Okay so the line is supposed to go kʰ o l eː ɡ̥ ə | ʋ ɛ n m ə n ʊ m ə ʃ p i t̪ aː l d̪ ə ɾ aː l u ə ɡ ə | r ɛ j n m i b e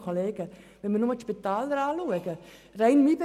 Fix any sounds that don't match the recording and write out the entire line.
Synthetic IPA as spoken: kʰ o l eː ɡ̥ ə | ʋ ɛ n m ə n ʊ m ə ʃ p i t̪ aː l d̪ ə ɾ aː l u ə ɡ ə | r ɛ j n m i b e